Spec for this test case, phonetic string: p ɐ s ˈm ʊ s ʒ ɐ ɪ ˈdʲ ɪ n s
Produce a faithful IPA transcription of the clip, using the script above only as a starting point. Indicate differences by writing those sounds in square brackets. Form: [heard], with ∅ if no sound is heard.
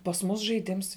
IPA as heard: p ɐ s ˈm ʊ s ʒ ɐ ɪ ˈdʲ ɪ [m] s